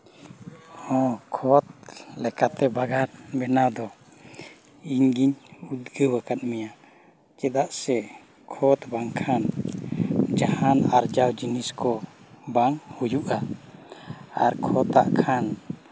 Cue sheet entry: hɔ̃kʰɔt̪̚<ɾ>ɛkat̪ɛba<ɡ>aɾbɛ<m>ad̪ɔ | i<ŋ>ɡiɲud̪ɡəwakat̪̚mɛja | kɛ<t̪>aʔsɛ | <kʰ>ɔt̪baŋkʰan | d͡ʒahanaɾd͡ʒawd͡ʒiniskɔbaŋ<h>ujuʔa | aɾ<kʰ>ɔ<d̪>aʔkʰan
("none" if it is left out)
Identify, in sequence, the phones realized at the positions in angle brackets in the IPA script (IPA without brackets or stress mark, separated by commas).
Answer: l, ɡ, n, ɲ, d̪, kʰ, h, kʰ, t̪